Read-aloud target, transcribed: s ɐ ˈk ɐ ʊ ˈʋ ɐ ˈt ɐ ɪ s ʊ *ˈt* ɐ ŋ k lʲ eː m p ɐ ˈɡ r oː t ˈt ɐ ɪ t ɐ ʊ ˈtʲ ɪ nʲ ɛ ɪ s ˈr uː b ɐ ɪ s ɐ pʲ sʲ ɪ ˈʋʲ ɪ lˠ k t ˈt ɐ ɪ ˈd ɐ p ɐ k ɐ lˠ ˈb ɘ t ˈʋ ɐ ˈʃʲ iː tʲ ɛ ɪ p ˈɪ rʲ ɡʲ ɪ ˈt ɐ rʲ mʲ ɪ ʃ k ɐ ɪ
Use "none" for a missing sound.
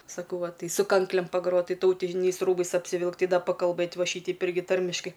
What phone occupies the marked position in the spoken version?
k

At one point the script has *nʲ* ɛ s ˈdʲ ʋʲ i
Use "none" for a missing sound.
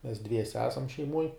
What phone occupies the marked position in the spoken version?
mʲ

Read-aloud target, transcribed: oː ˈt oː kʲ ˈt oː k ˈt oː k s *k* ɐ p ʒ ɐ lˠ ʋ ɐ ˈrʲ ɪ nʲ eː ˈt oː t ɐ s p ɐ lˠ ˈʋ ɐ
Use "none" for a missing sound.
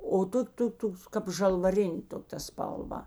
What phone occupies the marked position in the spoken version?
k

